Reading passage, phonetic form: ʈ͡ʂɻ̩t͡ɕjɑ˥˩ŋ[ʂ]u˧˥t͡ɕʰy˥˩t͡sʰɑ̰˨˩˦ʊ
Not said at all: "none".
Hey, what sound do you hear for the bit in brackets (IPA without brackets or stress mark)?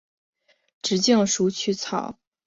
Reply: ʂ